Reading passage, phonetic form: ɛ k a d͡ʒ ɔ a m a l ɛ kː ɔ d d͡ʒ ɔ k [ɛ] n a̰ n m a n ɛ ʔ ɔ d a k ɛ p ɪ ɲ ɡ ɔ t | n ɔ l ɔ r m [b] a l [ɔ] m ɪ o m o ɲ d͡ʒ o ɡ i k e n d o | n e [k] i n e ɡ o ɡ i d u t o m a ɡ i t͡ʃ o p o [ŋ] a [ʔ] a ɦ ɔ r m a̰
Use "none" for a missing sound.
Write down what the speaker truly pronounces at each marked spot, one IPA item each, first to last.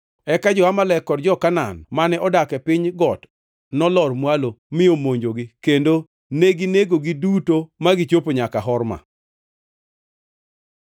a, w, o, ɡ, ɲ, k

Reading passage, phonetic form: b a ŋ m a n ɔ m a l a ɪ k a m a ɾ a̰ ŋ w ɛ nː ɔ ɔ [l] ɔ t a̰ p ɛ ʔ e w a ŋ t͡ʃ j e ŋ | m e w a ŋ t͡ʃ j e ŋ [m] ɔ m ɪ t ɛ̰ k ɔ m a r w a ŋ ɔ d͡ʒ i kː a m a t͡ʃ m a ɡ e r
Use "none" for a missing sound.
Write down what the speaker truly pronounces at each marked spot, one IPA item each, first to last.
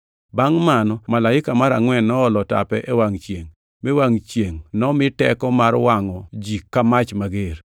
l, n

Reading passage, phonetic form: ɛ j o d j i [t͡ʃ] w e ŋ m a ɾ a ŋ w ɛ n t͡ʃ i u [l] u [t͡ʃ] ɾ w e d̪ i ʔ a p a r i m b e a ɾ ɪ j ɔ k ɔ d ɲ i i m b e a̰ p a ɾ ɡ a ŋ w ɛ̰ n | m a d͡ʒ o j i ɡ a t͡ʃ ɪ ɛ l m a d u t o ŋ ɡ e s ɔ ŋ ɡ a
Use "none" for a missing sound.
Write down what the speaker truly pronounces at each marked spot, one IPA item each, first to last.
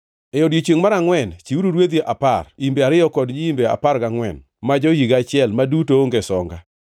t͡ʃ, ɾ, none

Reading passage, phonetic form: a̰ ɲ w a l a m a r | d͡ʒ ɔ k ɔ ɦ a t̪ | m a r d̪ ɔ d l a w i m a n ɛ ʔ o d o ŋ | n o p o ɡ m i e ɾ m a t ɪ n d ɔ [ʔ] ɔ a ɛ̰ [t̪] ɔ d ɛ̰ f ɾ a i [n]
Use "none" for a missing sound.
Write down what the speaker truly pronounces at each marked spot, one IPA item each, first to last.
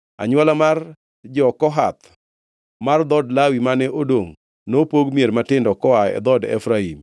k, d̪, m

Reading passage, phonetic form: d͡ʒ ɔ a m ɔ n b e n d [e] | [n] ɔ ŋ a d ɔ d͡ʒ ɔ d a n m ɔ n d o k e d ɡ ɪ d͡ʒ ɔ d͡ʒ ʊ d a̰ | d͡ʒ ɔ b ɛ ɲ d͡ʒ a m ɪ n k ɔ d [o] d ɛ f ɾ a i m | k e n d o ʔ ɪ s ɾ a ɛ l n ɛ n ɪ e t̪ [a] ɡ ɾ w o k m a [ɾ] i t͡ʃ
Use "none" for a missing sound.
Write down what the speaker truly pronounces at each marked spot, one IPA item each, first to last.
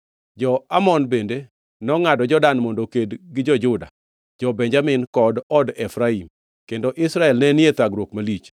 e, n, ɔ, a, l

